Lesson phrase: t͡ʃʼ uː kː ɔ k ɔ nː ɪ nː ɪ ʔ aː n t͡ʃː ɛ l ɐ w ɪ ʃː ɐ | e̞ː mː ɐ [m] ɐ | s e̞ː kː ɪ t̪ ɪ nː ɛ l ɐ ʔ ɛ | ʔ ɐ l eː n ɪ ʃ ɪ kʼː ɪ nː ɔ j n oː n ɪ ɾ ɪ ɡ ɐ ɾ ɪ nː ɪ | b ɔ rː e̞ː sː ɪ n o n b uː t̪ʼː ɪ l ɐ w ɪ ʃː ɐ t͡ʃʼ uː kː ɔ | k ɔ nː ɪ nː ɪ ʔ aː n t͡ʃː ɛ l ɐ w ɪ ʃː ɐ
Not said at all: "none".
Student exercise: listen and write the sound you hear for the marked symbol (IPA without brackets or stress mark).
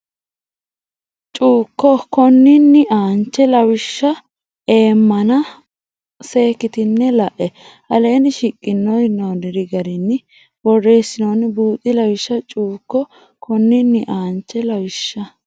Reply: n